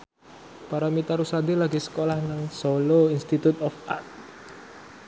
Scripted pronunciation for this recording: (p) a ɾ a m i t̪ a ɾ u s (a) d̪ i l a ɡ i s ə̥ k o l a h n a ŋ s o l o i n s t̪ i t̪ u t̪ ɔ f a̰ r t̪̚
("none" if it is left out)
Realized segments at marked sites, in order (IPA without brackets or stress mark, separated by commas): p, a